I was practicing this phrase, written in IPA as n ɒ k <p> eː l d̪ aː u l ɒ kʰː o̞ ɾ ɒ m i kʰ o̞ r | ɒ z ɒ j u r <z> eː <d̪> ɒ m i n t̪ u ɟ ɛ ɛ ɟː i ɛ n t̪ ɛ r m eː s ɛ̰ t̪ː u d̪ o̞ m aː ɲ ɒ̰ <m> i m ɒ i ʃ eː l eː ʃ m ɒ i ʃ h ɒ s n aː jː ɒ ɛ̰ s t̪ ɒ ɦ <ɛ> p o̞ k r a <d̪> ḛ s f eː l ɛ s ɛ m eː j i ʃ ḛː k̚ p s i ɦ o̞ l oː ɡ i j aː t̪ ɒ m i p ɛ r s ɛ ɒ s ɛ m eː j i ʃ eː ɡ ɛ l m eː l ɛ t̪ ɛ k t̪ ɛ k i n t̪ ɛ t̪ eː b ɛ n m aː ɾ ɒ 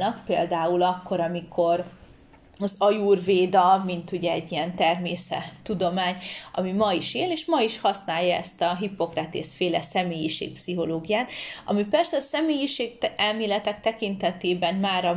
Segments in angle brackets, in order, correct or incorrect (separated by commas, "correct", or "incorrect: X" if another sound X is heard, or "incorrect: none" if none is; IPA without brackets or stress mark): correct, incorrect: v, correct, correct, incorrect: i, incorrect: t̪